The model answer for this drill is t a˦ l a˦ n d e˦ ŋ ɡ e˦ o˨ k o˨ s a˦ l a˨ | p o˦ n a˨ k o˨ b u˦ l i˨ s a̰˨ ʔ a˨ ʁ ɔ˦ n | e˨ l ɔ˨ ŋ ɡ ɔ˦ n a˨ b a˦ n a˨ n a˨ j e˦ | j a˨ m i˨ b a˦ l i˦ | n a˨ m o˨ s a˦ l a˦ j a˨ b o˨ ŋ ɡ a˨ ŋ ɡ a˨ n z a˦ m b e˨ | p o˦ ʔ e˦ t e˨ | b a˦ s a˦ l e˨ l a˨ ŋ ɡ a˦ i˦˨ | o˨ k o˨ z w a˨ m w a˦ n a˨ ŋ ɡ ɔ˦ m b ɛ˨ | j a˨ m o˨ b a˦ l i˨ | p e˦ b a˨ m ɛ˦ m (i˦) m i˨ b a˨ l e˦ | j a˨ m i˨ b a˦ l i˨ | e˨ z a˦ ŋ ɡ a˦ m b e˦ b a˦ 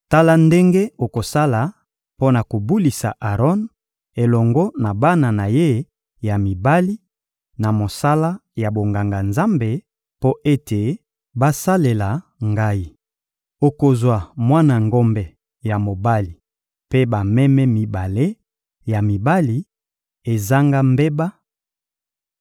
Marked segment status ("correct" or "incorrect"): incorrect